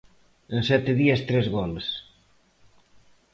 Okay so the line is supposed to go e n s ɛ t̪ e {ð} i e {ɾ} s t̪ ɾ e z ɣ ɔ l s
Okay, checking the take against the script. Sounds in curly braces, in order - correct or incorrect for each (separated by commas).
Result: correct, incorrect